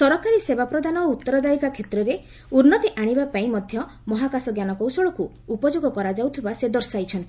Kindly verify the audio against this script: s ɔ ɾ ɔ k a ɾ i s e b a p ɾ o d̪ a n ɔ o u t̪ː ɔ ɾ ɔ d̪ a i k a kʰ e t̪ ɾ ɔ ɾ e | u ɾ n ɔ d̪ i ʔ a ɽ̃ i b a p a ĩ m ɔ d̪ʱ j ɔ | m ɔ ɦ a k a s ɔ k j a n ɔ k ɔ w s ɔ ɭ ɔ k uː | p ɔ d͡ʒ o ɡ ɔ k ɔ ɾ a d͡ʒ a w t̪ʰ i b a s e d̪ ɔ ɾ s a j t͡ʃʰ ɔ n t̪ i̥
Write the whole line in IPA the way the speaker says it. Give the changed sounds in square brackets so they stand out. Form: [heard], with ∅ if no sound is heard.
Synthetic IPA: s ɔ ɾ ɔ k a ɾ i s e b a p ɾ [ɔ] d̪ a n ɔ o u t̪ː ɔ ɾ ɔ d̪ a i k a kʰ e t̪ ɾ ɔ ɾ e | u ɾ n ɔ [t̪] i ʔ a ɽ̃ i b a p a ĩ m ɔ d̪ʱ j ɔ | m ɔ ɦ a k a s ɔ [ɡ] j a n ɔ k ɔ w s ɔ ɭ ɔ k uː | p ɔ d͡ʒ o ɡ ɔ k ɔ ɾ a d͡ʒ a w t̪ʰ i b a s e d̪ ɔ ɾ s a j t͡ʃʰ ɔ n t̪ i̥